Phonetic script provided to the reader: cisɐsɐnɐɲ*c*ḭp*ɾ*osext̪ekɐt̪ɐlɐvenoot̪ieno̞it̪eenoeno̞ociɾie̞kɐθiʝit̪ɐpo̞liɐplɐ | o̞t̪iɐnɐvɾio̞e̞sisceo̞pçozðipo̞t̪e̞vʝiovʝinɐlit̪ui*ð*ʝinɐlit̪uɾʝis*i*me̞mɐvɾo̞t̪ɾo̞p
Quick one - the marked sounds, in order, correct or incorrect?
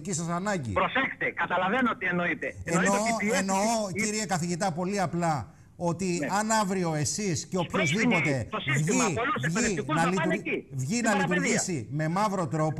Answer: incorrect: ɟ, correct, incorrect: v, correct

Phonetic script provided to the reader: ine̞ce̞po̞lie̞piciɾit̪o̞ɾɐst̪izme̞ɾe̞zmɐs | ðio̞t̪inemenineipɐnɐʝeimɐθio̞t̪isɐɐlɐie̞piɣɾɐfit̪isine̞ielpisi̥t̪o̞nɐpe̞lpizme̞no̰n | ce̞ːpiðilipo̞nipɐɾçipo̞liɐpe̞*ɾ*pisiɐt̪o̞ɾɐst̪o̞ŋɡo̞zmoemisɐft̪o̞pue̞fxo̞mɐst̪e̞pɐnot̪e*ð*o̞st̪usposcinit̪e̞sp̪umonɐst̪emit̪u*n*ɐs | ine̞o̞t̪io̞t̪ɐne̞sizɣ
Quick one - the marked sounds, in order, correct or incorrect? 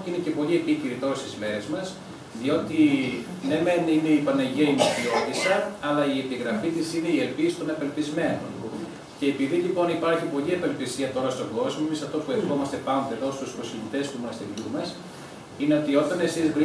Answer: incorrect: l, correct, incorrect: m

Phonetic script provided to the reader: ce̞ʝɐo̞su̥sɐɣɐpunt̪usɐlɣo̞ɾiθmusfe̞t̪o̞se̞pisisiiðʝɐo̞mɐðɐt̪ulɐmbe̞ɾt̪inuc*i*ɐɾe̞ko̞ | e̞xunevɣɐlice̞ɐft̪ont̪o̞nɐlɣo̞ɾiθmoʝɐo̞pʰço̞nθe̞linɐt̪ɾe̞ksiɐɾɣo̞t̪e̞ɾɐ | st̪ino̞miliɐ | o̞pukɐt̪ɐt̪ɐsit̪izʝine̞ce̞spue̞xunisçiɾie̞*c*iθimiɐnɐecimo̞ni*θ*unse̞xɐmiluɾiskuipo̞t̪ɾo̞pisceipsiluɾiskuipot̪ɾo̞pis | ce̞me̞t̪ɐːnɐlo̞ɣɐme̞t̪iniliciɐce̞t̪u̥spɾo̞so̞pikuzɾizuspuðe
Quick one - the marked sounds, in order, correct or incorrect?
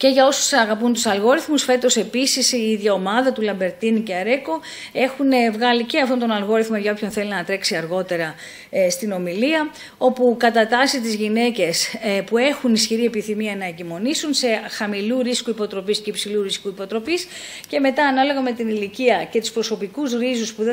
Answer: incorrect: e, incorrect: p, incorrect: s

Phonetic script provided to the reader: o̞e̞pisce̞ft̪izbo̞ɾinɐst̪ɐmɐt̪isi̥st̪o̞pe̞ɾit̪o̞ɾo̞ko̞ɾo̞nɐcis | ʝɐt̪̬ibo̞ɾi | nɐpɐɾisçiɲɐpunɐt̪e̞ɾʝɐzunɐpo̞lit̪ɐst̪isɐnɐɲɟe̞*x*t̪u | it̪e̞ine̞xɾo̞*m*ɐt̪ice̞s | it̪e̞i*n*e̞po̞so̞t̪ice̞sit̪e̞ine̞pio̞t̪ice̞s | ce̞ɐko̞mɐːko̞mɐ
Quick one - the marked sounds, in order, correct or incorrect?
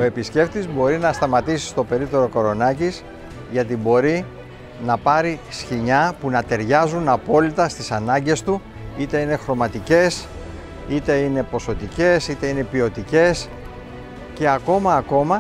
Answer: incorrect: s, correct, correct

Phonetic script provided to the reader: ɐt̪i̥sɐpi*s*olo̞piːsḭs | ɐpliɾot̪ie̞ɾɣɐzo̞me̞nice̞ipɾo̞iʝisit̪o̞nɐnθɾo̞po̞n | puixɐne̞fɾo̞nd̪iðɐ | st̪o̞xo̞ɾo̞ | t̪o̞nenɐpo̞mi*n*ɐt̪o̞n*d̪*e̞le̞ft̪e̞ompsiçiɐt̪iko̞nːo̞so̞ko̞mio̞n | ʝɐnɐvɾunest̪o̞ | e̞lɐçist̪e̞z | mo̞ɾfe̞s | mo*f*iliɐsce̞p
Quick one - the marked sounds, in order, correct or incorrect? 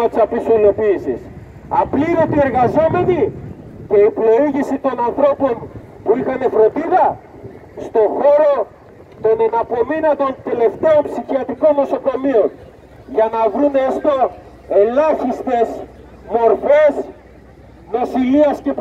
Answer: correct, correct, incorrect: t̪, incorrect: s

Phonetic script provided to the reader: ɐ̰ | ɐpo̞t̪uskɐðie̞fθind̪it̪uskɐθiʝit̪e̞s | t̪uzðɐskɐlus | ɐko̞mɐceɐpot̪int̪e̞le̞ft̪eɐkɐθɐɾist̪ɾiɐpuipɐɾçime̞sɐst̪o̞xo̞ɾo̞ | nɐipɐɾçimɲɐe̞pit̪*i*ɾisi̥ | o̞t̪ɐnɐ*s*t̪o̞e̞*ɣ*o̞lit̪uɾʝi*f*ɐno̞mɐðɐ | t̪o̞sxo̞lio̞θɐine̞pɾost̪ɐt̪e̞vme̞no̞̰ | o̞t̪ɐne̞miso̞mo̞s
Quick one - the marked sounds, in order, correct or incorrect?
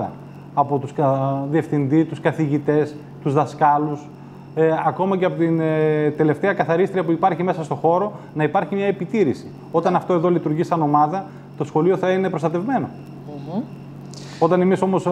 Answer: correct, incorrect: f, incorrect: ð, incorrect: s

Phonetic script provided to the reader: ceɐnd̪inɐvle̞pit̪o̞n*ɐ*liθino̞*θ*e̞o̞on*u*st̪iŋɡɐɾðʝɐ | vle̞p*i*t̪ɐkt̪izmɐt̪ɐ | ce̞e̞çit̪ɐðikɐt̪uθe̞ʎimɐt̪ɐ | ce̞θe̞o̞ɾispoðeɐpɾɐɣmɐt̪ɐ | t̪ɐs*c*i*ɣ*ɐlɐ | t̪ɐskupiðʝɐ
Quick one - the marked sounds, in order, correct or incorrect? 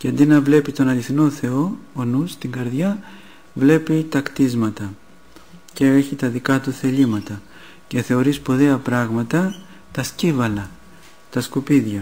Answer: correct, correct, correct, correct, correct, incorrect: v

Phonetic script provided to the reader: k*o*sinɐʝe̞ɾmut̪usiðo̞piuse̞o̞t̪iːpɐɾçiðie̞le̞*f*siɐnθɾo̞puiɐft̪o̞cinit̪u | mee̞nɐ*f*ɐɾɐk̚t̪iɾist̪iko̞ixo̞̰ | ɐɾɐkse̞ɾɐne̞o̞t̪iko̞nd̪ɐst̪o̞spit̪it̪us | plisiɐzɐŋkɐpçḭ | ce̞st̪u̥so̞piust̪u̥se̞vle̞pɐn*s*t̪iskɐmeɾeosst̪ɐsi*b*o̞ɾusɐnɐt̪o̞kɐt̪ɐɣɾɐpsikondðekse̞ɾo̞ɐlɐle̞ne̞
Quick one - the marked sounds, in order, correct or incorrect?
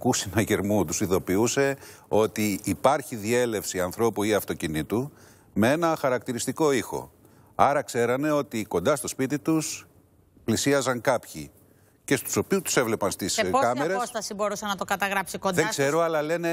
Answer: incorrect: u, correct, incorrect: x, correct, correct

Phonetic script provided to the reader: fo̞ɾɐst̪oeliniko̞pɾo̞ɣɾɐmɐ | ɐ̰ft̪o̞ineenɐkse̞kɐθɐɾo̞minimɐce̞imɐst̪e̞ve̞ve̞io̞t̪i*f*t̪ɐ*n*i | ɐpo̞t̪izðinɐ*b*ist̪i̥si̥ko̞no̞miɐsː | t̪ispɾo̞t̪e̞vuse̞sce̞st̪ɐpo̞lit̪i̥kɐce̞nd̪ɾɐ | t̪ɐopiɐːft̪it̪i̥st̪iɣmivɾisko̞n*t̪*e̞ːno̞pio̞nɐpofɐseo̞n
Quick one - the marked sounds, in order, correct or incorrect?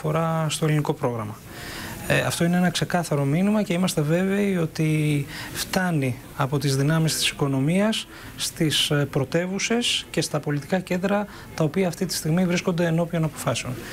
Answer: correct, correct, incorrect: m, incorrect: d̪

